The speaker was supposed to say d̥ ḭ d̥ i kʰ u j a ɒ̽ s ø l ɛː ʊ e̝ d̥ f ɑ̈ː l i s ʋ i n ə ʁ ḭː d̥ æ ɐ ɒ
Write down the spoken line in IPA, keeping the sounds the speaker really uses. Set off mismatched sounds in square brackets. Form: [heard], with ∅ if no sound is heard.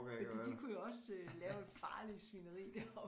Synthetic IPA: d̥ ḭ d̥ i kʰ u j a ɒ̽ s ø l ɛː ʊ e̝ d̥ f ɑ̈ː l i s ʋ i n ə ʁ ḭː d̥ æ ɐ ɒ